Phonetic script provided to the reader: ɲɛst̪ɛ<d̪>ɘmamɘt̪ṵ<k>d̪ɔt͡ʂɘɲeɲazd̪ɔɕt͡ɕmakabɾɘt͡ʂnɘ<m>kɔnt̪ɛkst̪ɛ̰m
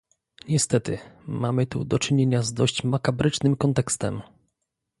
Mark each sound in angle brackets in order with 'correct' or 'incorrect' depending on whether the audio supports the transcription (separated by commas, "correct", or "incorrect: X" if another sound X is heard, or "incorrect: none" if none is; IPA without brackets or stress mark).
incorrect: t̪, incorrect: none, correct